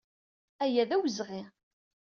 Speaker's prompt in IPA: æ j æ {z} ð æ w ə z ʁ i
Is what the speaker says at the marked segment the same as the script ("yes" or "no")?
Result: no